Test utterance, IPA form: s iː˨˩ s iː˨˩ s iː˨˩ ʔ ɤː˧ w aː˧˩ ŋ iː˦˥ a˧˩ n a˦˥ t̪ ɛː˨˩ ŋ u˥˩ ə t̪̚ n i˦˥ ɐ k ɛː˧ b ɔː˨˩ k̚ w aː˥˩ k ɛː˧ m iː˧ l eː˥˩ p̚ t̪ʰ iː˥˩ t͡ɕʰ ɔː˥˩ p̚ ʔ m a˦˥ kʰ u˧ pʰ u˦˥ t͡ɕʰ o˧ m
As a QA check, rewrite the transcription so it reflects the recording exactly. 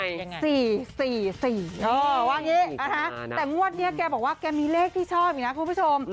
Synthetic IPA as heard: s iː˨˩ s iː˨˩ s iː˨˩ ʔ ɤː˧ w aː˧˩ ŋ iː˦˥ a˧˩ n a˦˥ t̪ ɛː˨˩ ŋ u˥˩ ə t̪̚ n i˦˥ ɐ k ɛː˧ b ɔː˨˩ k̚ w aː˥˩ k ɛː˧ m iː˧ l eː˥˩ k̚ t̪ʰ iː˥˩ t͡ɕʰ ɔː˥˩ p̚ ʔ n a˦˥ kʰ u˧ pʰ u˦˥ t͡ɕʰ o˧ m